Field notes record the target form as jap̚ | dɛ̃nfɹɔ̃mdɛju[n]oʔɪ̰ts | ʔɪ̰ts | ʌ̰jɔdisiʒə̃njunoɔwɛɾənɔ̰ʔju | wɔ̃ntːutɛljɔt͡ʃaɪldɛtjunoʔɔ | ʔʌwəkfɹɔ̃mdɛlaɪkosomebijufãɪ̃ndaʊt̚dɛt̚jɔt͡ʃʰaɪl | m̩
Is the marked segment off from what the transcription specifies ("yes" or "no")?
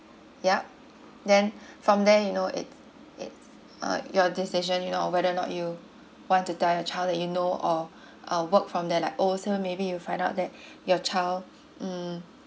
no